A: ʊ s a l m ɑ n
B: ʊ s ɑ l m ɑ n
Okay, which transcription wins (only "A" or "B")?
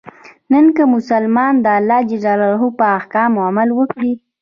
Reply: A